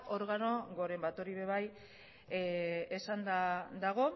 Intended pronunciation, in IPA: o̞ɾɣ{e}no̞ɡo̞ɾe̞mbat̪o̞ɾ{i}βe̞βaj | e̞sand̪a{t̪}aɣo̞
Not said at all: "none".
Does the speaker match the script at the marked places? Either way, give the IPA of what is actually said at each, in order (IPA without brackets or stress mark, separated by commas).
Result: a, i, d̪